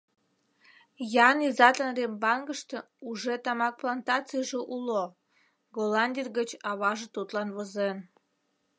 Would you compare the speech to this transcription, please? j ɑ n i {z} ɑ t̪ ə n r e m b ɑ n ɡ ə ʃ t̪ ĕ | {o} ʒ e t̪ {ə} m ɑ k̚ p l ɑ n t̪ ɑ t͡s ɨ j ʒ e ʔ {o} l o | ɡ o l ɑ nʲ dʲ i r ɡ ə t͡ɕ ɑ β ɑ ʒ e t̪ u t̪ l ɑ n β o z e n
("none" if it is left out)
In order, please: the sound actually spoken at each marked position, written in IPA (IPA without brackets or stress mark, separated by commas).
z, u, ɑ, u